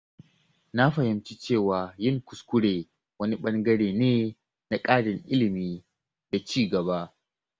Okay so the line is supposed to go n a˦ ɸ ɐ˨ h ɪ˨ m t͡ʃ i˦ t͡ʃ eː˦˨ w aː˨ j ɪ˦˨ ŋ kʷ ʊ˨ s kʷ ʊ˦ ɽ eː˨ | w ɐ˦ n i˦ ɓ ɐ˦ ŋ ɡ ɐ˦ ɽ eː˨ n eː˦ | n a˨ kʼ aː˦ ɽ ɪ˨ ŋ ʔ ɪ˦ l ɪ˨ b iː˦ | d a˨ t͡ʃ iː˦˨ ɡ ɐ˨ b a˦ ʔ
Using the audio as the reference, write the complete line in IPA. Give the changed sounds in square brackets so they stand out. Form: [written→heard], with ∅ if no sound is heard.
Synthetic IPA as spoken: n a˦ ɸ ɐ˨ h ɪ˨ m t͡ʃ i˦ t͡ʃ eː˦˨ w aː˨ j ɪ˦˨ ŋ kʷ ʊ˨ s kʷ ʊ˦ ɽ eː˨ | w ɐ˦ n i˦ ɓ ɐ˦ ŋ ɡ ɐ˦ ɽ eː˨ n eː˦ | n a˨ kʼ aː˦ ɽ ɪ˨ ŋ ʔ ɪ˦ l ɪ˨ [b→m] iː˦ | d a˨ t͡ʃ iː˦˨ ɡ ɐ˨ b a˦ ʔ